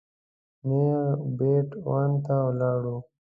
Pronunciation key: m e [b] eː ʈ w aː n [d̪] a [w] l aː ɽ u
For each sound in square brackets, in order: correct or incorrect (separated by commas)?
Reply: correct, incorrect, correct